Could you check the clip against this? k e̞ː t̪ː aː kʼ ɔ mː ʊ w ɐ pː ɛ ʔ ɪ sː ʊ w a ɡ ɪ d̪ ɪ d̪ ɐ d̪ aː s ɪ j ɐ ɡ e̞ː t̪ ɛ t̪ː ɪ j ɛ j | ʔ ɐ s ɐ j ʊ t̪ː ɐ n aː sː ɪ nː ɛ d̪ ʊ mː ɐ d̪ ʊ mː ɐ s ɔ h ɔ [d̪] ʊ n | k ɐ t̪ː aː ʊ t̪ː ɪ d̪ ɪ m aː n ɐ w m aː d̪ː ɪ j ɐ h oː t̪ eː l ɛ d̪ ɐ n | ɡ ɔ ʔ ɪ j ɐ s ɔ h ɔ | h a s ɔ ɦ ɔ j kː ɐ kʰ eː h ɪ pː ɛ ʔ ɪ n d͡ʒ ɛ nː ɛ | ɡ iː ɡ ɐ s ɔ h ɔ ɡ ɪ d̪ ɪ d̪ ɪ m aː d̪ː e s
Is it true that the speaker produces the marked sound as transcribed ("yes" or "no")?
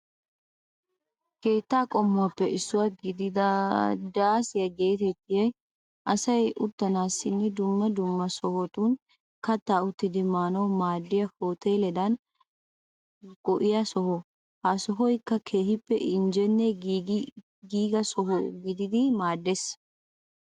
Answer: no